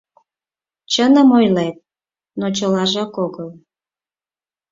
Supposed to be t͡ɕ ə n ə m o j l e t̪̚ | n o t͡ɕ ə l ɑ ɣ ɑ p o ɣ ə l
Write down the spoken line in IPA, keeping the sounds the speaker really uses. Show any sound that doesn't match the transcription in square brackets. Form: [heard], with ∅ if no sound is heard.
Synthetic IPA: t͡ɕ ə n ə m o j l e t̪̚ | n o t͡ɕ ə l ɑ [ʒ] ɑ [k] o ɣ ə l